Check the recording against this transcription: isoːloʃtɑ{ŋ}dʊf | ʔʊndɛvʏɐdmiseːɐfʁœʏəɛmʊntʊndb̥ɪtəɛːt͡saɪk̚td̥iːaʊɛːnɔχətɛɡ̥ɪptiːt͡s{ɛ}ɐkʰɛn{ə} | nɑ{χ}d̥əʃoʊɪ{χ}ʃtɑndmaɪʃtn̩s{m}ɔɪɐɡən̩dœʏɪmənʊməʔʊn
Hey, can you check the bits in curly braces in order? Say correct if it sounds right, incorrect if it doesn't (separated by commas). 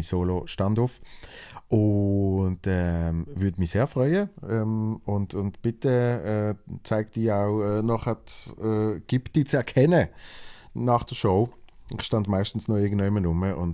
incorrect, correct, correct, correct, correct, incorrect